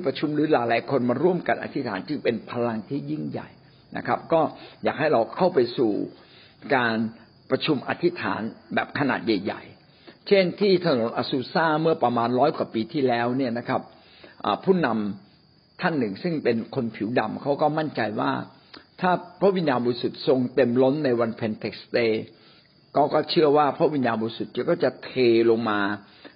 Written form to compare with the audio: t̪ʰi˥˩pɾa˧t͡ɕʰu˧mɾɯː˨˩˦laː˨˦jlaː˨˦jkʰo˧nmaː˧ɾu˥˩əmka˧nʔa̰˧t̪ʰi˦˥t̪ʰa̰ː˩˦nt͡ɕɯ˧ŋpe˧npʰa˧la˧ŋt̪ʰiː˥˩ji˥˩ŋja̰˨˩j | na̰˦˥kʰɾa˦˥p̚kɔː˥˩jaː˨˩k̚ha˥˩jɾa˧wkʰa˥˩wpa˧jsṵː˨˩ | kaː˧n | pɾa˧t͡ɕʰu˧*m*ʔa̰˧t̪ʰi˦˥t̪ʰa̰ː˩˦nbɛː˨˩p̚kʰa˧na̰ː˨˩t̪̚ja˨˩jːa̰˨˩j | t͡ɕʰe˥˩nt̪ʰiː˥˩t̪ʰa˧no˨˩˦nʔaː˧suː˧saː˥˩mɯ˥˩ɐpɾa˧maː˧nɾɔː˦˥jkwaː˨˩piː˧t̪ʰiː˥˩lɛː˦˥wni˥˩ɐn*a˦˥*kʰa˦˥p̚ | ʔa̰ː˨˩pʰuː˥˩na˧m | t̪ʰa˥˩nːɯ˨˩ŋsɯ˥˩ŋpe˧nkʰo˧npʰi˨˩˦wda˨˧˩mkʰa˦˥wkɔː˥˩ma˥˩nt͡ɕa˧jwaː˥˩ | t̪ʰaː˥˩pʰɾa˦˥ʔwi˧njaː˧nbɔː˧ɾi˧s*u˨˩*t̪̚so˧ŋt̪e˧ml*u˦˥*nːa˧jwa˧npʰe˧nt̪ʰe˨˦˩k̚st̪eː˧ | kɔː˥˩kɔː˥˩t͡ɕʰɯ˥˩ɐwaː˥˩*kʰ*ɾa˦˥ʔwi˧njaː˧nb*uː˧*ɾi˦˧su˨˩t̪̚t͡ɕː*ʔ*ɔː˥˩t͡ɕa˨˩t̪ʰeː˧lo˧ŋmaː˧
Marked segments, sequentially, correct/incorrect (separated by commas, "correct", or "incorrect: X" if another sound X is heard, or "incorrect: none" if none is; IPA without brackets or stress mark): correct, correct, correct, incorrect: o˦˥, incorrect: pʰ, incorrect: ɔː˧, incorrect: k